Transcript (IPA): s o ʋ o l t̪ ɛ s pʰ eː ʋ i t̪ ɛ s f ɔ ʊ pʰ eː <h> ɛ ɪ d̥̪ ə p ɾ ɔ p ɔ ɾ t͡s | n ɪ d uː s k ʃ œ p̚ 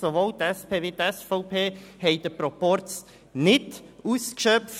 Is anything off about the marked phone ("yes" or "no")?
no